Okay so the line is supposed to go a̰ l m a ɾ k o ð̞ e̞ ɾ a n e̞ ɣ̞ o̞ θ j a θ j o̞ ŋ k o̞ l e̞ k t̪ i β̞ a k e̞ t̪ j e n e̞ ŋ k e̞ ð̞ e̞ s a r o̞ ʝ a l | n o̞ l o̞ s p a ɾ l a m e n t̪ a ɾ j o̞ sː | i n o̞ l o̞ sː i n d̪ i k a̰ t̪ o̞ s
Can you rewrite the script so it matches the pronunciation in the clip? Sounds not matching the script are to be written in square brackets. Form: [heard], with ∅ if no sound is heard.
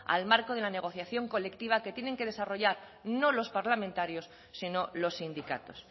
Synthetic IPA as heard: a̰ l m a ɾ k o ð̞ e̞ [l] a n e̞ ɣ̞ o̞ θ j a θ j o̞ ŋ k o̞ l e̞ k t̪ i β̞ a k e̞ t̪ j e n e̞ ŋ k e̞ ð̞ e̞ s a r o̞ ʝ a [ɾ] | n o̞ l o̞ s p a ɾ l a m [ẽ] n t̪ a ɾ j o̞ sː | i n o̞ l o̞ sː i n d̪ i k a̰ t̪ o̞ s